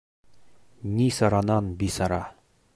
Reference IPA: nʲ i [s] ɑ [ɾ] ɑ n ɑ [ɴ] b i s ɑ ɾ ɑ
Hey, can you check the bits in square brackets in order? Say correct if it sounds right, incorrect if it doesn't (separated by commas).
correct, correct, incorrect